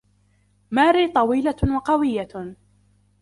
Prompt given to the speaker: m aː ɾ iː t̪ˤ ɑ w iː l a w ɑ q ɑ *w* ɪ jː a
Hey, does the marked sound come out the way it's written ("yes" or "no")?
yes